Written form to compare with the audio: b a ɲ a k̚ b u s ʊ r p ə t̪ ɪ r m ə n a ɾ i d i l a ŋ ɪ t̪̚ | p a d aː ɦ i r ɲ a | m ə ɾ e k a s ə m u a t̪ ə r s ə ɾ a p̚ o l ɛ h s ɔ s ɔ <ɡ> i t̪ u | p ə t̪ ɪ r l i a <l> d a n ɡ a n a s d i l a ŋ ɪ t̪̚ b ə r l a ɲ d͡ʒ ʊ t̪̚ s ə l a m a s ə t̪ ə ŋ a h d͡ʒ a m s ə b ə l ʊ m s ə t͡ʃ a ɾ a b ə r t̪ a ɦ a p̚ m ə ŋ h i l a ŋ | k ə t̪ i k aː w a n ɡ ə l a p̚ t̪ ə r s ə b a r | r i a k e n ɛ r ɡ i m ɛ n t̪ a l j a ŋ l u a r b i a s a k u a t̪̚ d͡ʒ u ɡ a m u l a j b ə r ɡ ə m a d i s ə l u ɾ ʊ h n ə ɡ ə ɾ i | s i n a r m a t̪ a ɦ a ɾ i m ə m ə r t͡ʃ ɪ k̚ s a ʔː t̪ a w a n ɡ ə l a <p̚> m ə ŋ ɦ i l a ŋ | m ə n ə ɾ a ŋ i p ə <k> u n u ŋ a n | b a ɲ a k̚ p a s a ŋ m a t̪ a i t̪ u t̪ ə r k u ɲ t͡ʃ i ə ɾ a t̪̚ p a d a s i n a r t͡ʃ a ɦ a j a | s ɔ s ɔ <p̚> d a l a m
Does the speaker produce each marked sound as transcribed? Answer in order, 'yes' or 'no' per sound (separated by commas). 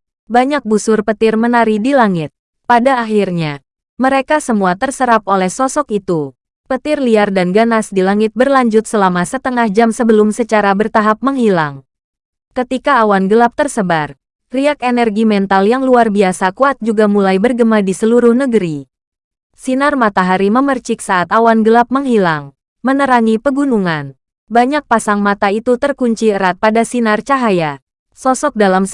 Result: no, no, yes, no, no